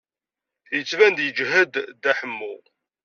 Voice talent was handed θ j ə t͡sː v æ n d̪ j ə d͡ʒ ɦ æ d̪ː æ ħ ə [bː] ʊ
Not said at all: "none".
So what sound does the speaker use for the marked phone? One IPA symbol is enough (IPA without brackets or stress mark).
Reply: mː